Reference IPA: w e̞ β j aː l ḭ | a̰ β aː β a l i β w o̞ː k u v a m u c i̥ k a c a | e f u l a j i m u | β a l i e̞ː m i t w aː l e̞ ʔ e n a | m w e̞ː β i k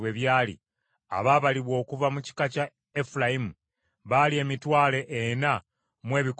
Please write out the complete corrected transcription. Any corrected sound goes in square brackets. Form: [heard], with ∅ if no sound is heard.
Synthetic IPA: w e̞ β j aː l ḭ | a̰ β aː β a l i β w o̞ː k u v a m u c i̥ k a c a | e f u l a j i m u | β a l i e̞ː m i t w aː l e̞ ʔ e n a | m w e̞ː β i k